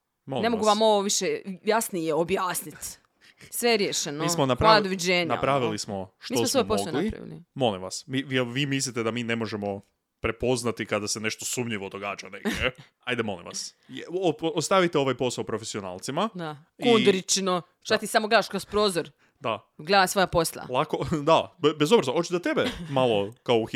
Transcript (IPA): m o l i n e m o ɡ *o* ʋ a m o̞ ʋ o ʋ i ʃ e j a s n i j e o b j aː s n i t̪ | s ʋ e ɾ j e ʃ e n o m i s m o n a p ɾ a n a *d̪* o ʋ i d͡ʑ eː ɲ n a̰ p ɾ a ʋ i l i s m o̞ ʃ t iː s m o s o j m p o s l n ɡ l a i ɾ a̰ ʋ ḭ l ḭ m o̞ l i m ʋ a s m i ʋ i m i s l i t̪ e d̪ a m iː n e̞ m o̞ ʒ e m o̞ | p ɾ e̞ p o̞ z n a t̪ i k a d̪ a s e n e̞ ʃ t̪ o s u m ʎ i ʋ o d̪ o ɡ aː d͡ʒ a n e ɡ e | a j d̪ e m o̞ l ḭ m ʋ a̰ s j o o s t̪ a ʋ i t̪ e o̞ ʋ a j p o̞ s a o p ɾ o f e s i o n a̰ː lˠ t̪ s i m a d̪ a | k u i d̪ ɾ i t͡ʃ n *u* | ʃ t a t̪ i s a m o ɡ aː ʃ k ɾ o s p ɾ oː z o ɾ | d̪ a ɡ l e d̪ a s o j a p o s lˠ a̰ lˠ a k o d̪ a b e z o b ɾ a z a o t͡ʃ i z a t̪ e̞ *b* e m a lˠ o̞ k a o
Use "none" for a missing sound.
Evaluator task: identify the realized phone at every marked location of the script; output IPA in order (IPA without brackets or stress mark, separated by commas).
u, d̪, o, b